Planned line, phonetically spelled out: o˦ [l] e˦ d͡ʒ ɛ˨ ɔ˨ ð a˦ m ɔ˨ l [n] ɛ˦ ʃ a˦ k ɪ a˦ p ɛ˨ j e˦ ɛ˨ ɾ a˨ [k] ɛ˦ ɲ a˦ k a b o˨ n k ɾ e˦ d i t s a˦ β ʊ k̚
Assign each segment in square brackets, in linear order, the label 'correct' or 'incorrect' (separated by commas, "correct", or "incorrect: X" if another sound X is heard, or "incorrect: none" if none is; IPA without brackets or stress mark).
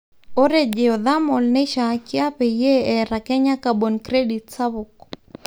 incorrect: ɾ, correct, correct